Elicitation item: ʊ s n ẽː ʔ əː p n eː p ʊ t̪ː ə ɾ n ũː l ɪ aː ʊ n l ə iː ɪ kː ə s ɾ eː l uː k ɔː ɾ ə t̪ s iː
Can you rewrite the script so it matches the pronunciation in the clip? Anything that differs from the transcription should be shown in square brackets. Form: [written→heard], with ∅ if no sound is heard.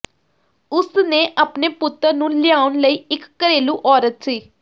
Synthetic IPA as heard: ʊ s n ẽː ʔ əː p n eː p ʊ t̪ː ə ɾ n ũː l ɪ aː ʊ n l ə iː ɪ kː ə [s→∅] ɾ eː l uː [k→ʔ] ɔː ɾ ə t̪ s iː